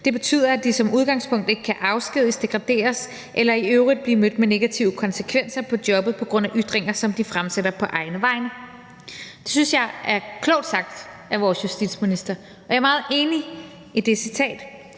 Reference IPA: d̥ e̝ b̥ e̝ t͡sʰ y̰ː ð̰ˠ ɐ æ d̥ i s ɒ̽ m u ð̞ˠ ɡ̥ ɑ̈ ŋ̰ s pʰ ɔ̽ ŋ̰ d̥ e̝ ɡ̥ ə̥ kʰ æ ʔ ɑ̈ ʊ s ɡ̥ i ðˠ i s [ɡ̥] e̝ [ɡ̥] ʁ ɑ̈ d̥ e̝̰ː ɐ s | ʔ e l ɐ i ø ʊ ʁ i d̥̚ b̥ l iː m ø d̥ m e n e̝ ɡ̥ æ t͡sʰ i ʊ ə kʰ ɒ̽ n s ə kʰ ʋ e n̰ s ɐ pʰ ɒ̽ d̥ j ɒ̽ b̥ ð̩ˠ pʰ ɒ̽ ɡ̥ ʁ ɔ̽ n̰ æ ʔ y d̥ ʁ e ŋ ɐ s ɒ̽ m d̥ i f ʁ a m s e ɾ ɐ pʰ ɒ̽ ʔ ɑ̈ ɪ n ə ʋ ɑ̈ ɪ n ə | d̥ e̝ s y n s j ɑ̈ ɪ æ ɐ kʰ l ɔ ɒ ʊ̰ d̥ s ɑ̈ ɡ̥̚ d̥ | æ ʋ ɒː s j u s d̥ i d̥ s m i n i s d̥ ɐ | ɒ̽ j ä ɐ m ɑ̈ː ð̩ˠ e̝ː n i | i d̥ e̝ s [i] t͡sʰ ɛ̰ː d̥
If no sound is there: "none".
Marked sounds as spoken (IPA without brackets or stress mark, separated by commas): d̥, ɡ̥, i